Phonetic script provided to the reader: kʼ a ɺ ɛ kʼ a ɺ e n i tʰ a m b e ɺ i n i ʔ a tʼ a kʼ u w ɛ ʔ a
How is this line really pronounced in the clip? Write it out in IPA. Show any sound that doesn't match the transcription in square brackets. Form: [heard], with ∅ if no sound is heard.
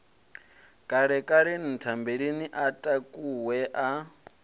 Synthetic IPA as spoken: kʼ a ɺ ɛ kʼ a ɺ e n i tʰ a m b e ɺ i n i ʔ a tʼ a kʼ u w ɛ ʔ a